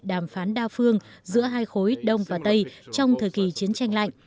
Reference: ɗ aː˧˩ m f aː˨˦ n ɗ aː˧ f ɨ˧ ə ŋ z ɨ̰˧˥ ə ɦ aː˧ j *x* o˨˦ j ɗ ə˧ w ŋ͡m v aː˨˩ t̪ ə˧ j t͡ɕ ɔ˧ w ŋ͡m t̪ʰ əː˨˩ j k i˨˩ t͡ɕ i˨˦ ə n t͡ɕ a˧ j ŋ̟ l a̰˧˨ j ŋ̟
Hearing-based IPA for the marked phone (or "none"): x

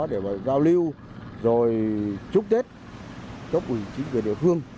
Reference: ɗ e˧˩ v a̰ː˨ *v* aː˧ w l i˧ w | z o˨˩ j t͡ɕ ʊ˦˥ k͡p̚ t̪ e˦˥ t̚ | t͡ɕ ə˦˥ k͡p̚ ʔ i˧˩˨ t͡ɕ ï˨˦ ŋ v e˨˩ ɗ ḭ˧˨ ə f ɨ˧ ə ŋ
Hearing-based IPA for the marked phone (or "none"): z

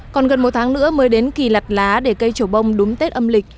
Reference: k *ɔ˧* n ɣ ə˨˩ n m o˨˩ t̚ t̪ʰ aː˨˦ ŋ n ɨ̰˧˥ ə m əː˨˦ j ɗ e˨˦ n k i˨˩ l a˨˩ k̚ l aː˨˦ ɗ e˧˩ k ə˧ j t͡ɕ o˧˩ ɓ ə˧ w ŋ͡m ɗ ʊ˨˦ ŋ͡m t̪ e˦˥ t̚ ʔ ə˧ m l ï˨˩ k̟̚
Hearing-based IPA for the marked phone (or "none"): ɔ˨˩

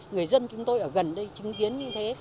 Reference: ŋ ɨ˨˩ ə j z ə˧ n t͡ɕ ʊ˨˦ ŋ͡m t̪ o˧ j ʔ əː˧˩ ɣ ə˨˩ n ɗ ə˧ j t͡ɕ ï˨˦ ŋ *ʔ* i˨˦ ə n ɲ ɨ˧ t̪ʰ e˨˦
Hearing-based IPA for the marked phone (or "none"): k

